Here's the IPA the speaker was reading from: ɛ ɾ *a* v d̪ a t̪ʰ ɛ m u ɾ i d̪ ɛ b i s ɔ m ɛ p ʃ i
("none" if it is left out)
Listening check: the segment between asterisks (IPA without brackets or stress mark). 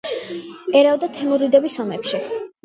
a